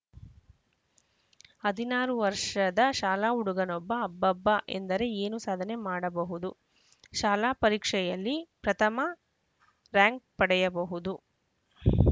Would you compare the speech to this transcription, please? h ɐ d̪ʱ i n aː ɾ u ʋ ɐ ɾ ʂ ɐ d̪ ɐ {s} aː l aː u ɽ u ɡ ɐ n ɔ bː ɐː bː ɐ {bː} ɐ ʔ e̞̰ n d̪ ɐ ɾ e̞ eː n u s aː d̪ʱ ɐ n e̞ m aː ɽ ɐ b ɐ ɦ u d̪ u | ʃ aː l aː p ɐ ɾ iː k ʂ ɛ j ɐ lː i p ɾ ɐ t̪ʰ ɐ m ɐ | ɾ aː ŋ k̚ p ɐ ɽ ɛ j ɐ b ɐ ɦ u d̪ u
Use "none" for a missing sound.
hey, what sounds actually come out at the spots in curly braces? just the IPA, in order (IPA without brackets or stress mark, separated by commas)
ʃ, bː